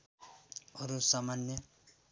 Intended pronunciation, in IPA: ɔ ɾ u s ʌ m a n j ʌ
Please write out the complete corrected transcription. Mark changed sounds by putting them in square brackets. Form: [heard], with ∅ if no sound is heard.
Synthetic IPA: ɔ ɾ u s [a] m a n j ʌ